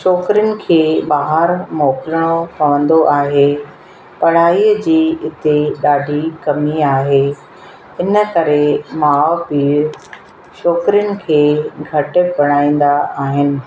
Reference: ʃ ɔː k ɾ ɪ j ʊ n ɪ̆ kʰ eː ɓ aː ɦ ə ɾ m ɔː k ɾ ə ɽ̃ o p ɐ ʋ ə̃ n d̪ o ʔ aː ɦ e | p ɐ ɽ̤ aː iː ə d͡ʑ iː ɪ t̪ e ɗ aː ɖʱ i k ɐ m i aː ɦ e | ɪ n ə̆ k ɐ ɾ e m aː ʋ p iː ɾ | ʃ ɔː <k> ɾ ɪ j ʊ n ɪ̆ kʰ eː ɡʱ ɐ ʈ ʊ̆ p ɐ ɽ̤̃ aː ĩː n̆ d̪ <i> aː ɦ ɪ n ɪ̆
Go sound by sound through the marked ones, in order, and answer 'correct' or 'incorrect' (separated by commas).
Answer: correct, incorrect